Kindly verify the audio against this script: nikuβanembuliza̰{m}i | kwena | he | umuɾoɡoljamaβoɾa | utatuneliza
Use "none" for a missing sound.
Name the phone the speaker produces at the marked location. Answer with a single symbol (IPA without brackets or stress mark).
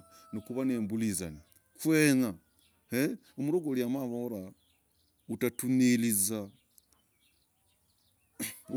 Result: n